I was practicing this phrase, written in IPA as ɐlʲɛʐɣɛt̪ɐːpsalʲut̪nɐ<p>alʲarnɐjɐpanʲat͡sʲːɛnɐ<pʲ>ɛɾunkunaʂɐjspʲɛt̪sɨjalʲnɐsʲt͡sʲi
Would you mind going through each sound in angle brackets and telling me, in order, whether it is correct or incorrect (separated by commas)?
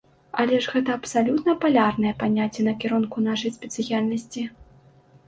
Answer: correct, incorrect